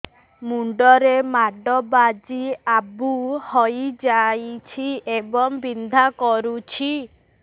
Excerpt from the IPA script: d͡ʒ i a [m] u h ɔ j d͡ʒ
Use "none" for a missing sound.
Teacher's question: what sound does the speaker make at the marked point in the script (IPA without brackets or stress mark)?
b